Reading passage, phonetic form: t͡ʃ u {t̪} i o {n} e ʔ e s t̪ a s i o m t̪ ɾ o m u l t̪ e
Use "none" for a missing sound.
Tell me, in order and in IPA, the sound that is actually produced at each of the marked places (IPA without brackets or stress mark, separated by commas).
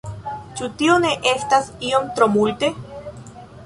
t̪, n